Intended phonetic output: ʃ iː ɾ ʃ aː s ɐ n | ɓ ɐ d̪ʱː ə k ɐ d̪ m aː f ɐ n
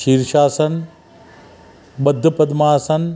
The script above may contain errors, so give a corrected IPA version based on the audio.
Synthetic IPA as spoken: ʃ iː ɾ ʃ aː s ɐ n | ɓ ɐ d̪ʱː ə p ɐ d̪ m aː s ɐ n